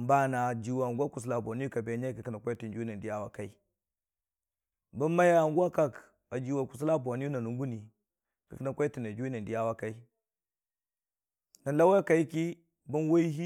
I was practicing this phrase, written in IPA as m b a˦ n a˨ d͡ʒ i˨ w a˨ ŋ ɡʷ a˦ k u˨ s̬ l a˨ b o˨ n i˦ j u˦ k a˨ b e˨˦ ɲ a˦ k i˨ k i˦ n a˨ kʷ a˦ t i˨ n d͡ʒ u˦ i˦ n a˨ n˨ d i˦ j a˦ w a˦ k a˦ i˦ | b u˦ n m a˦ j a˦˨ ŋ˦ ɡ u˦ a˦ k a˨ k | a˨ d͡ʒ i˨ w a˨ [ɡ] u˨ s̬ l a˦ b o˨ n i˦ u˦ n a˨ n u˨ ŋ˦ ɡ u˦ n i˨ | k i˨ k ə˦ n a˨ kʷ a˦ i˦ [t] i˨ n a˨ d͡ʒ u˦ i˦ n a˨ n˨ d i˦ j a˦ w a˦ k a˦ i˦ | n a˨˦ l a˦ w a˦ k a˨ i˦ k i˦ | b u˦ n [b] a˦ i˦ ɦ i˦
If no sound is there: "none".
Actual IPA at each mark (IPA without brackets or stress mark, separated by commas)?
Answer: k, t, w